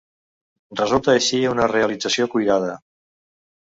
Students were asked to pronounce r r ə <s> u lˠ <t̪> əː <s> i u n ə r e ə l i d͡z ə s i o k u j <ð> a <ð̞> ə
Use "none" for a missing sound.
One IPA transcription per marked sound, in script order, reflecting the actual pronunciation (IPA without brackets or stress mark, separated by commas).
z, t̪, ʃ, ð, ð̞